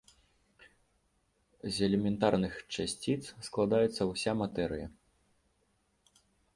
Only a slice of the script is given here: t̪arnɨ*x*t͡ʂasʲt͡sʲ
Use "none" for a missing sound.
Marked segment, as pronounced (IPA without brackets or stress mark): x